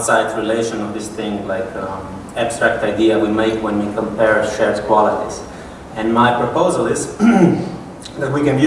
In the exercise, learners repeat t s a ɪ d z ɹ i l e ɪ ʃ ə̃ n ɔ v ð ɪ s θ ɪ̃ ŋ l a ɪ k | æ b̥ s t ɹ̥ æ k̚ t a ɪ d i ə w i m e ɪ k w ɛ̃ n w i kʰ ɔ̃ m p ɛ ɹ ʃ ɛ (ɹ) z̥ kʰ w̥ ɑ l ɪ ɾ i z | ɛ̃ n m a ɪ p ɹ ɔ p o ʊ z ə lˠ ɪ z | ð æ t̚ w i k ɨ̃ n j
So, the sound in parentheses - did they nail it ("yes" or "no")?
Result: yes